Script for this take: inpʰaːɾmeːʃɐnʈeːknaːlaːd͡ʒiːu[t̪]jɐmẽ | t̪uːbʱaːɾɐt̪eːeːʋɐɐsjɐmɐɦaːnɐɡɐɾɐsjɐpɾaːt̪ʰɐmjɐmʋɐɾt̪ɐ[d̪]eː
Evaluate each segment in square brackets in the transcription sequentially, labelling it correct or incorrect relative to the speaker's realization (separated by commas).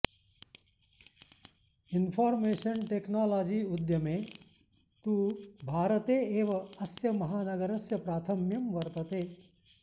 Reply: incorrect, incorrect